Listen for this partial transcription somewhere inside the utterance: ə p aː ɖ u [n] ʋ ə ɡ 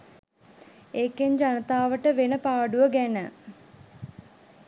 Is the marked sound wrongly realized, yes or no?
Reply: yes